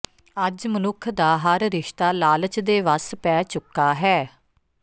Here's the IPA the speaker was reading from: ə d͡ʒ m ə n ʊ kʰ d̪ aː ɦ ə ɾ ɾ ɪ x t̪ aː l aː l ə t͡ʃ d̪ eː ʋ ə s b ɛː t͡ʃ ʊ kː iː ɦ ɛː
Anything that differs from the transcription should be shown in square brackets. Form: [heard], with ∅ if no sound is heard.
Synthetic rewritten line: ə d͡ʒ m ə n ʊ kʰ d̪ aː ɦ ə ɾ ɾ ɪ [ʃ] t̪ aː l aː l ə t͡ʃ d̪ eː ʋ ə s [p] ɛː t͡ʃ ʊ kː [aː] ɦ ɛː